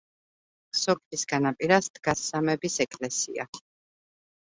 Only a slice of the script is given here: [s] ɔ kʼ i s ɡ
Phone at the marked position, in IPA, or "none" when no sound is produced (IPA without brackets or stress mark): s